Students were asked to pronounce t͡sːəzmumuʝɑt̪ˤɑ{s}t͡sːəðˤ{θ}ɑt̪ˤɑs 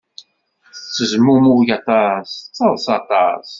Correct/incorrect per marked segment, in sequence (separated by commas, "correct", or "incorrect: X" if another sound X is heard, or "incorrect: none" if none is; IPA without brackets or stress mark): correct, incorrect: s